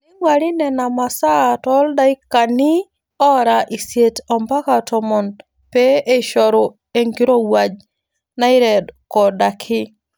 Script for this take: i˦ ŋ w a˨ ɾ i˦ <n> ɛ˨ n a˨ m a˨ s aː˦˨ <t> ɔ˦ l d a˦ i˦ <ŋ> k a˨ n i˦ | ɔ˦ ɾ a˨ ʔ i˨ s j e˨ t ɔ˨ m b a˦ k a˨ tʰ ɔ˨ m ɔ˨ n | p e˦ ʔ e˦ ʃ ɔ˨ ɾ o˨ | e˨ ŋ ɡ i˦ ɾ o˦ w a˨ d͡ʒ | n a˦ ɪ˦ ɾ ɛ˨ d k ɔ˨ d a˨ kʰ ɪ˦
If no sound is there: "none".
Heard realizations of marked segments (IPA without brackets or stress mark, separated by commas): n, t, none